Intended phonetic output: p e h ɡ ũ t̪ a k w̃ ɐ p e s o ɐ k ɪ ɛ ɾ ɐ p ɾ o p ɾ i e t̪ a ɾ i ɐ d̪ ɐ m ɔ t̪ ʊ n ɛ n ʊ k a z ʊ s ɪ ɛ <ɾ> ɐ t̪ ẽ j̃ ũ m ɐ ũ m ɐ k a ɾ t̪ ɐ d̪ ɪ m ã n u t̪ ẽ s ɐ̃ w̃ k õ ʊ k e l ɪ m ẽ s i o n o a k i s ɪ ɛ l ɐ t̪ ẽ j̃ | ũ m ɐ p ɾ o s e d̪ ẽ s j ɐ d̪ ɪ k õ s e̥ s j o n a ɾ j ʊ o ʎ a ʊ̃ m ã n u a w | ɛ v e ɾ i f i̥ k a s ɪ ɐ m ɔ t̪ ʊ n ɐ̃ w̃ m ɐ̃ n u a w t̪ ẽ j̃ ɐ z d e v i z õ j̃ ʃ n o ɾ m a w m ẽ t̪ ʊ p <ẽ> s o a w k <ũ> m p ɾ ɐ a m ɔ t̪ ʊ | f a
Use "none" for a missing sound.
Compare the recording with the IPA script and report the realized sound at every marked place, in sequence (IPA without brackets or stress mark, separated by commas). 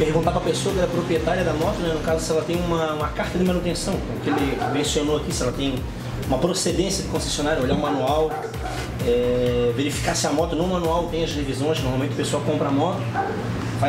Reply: l, e, õ